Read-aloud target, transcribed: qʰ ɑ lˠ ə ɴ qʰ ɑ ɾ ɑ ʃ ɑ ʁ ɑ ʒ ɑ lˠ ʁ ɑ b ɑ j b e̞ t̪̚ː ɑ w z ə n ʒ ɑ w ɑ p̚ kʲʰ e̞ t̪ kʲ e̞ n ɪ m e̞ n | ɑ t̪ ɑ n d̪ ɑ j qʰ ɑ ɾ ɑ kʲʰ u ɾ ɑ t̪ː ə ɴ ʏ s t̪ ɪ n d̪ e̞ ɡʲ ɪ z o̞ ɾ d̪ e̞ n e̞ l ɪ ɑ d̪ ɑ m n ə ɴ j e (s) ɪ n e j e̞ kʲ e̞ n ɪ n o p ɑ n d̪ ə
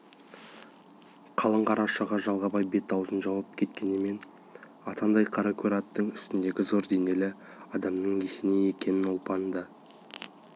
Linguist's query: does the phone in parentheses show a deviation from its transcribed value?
no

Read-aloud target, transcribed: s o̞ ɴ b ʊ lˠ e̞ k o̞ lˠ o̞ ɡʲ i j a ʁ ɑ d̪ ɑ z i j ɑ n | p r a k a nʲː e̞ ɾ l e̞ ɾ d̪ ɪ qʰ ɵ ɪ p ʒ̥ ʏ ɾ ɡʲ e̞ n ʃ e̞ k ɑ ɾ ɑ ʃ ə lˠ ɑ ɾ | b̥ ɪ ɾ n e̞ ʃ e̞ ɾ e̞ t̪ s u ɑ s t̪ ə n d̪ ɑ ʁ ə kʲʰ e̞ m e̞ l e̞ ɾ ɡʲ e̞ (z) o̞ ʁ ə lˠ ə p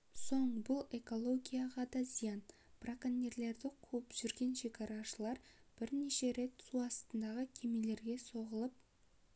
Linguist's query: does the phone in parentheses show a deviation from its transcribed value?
yes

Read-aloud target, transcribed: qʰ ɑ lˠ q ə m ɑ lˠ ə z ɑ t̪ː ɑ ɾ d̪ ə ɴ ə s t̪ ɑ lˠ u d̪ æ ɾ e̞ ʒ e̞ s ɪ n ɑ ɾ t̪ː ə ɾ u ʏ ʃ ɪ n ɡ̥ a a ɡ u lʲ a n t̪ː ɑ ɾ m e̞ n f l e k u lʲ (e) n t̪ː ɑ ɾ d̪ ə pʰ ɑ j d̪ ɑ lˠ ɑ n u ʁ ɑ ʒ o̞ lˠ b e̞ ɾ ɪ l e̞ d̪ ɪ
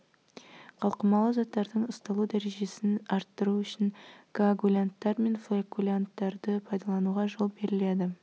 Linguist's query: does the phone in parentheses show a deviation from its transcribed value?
yes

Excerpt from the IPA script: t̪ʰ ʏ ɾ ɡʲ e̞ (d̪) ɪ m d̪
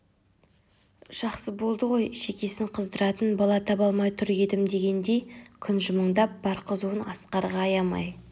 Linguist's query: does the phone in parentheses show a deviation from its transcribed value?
no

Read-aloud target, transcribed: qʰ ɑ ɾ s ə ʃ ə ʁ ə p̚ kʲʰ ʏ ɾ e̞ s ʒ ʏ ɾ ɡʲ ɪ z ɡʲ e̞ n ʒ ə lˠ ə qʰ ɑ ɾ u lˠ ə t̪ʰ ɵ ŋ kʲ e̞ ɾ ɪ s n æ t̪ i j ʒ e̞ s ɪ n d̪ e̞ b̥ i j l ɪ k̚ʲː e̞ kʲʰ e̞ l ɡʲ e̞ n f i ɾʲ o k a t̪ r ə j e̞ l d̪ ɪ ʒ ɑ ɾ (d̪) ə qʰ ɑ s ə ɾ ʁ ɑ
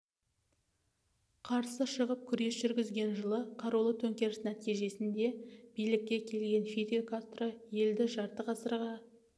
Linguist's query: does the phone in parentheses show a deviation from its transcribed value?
yes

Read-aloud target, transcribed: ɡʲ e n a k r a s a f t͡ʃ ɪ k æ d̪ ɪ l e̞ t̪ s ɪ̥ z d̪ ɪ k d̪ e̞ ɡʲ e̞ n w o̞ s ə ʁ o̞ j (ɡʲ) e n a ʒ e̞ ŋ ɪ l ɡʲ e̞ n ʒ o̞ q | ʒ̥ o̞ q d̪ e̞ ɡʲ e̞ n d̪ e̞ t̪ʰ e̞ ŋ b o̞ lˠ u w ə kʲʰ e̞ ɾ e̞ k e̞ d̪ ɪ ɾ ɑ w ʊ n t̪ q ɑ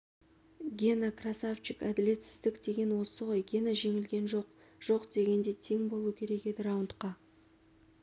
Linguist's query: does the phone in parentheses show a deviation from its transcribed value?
no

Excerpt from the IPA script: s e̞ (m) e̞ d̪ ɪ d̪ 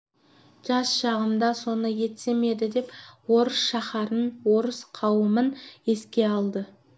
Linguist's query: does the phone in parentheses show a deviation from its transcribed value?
no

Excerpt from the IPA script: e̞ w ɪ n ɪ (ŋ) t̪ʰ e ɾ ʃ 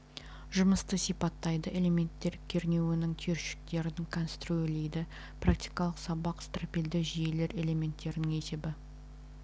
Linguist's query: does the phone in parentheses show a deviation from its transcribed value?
no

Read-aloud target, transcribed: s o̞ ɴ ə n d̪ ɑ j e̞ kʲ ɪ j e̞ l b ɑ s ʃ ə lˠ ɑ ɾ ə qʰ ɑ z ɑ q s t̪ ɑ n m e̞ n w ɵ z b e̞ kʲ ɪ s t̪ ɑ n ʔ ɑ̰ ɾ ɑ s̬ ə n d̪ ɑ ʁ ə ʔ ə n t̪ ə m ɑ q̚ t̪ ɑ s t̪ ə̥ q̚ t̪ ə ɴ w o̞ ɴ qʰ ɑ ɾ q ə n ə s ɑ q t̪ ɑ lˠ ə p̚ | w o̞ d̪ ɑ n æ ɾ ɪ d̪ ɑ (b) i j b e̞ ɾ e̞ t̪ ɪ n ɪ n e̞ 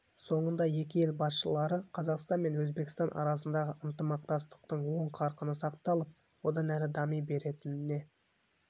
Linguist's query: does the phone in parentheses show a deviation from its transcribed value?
yes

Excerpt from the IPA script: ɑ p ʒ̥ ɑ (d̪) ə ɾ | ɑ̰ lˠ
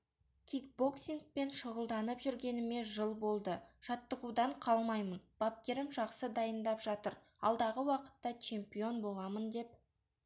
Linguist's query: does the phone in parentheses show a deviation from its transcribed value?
yes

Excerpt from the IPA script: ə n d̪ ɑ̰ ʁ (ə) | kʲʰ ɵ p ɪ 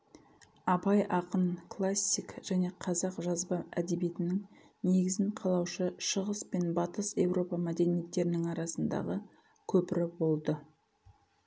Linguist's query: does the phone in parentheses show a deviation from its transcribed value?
no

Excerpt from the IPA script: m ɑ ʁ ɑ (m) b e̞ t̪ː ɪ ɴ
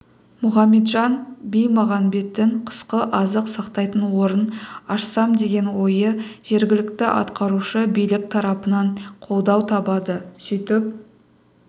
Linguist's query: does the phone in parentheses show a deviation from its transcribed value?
yes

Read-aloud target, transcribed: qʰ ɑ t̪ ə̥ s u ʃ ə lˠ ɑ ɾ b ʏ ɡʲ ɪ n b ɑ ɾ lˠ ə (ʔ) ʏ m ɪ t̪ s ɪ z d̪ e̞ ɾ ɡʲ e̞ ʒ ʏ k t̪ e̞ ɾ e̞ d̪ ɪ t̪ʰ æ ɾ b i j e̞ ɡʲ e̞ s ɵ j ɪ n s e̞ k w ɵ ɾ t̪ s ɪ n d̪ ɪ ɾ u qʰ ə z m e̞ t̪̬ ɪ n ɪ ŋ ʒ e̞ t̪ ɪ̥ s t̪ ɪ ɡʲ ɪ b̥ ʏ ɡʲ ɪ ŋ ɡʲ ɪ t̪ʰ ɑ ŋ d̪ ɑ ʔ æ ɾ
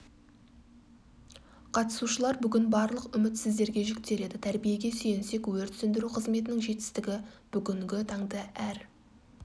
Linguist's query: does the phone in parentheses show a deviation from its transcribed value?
yes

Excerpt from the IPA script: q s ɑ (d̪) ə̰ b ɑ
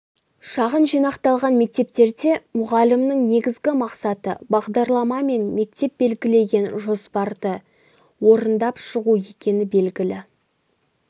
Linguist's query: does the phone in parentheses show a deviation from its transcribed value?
yes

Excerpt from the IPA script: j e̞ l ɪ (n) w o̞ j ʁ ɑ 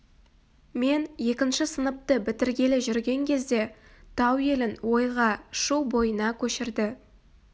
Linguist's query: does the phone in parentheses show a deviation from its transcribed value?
no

